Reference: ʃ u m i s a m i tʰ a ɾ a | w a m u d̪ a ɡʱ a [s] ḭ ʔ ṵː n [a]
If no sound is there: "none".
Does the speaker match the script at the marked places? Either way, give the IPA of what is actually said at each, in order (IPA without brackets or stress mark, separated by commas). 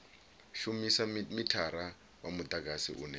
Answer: s, ɛ